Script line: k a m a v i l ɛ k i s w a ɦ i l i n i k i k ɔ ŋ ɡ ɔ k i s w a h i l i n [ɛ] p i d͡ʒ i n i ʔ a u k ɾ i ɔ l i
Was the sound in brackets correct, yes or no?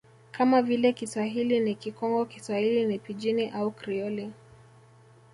no